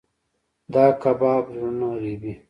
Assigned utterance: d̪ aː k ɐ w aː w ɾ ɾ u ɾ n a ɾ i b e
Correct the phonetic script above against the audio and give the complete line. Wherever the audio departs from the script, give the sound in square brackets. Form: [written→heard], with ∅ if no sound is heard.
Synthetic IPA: d̪ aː k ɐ [w→b] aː [w→b] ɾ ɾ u [ɾ→∅] n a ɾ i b [e→i]

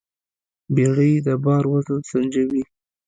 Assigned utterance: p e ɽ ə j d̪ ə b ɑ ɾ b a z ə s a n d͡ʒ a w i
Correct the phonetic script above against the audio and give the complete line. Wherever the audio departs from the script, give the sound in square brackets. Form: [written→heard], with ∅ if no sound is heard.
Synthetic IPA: [p→b] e ɽ ə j d̪ ə b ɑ ɾ [b→w] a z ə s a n d͡ʒ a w i

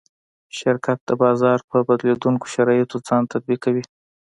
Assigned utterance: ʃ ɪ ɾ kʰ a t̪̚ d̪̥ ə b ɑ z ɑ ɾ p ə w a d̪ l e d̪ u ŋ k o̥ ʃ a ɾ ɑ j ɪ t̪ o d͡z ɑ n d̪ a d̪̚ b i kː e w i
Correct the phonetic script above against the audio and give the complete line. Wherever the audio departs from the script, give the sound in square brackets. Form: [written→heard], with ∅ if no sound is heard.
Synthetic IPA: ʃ ɪ ɾ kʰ a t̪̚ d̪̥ ə b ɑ z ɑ ɾ p ə [w→b] a d̪ l e d̪ u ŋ k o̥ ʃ a ɾ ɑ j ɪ t̪ o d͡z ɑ n [d̪→t̪] a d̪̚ b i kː [e→a] w i

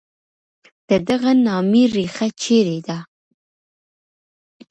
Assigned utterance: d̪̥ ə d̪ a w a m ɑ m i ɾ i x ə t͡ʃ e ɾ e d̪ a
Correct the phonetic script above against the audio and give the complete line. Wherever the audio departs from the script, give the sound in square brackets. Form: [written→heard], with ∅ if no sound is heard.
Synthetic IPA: d̪̥ ə d̪ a [w→ɣ] a [m→n] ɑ m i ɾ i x [ə→a] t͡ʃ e ɾ e d̪ a

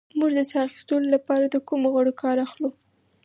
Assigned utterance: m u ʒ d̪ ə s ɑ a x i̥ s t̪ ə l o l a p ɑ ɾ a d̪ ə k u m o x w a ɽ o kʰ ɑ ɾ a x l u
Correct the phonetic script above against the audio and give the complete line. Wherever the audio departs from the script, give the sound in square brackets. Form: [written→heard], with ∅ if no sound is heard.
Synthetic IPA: m u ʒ d̪ ə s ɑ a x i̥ s t̪ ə l o l a p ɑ ɾ a d̪ ə k u m o [x→ɣ] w a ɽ o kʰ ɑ ɾ a x l u

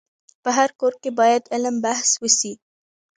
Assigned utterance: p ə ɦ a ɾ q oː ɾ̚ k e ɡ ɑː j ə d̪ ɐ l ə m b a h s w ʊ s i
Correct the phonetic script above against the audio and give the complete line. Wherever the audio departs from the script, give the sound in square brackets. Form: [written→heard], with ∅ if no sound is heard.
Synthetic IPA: p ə ɦ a ɾ [q→k] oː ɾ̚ k e [ɡ→b] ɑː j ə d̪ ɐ l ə m b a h s w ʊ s i

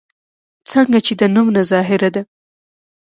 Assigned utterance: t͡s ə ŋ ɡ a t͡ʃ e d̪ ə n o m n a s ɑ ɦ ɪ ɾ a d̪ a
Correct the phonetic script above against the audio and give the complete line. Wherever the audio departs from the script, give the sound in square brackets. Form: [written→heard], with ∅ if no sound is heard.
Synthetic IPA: t͡s ə ŋ ɡ a t͡ʃ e d̪ ə n [o→u] m n a [s→z] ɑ ɦ ɪ ɾ a d̪ a

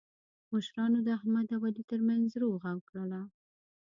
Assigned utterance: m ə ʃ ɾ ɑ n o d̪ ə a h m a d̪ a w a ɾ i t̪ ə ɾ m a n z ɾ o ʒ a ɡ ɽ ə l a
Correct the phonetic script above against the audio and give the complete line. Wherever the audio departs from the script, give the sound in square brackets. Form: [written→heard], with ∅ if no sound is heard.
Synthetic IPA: m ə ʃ ɾ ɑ n o d̪ ə a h m a d̪ a w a [ɾ→l] i t̪ ə ɾ m a n z ɾ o [ʒ→ɣ] a [ɡ→k] ɽ ə l a

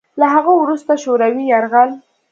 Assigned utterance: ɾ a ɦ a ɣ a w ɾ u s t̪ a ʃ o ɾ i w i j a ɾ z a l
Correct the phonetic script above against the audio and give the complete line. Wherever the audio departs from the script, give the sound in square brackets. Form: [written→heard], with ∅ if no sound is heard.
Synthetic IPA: [ɾ→l] a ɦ a ɣ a w ɾ u s t̪ a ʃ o ɾ [i→a] w i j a ɾ [z→ɣ] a l

